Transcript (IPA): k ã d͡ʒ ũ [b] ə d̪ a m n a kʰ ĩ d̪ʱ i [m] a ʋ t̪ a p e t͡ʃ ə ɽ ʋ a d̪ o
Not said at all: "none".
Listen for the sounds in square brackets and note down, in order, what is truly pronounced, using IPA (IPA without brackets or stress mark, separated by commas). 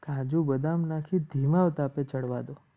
b, m